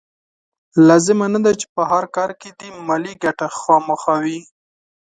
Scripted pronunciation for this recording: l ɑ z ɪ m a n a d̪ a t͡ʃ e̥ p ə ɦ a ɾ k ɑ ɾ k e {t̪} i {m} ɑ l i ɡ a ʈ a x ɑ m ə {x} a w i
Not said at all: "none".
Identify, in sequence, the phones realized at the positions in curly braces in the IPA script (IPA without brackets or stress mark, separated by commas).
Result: d̪, m, x